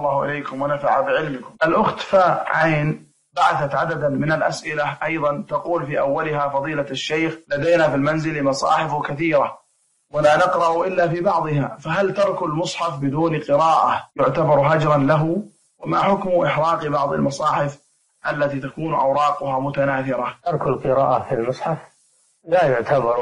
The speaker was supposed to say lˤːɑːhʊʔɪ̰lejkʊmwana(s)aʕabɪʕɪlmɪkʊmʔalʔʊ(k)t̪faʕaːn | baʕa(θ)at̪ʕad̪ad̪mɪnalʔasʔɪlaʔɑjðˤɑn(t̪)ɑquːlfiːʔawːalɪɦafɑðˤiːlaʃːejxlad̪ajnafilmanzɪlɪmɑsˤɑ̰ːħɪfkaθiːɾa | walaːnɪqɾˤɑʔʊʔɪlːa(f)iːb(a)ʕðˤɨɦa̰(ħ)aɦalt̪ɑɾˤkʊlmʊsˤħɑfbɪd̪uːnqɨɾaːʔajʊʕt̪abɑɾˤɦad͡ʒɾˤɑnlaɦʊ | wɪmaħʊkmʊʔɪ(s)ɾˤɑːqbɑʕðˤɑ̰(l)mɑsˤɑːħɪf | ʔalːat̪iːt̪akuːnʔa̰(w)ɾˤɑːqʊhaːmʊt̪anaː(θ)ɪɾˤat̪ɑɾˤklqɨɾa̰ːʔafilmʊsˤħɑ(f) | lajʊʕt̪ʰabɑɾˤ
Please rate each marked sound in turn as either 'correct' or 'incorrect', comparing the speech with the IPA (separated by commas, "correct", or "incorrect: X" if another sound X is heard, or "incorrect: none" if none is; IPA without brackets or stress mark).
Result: incorrect: f, incorrect: x, correct, correct, correct, incorrect: ɑ, incorrect: f, incorrect: ħ, correct, correct, correct, correct